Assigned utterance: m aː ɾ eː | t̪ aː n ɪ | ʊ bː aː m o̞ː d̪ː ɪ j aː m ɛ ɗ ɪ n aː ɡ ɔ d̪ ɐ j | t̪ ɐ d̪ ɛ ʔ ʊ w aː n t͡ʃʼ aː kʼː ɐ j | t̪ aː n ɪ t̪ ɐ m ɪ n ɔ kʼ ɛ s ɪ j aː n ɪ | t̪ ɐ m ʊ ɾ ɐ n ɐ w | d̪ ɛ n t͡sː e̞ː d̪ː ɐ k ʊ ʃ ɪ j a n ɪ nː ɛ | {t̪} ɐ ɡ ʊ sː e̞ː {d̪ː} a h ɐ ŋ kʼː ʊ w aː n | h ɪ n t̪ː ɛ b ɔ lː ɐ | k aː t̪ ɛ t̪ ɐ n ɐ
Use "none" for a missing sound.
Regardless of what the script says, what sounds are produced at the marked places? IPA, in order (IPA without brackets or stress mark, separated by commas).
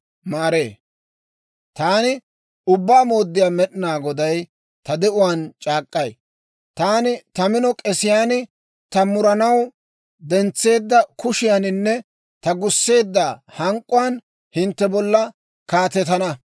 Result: t̪, d̪ː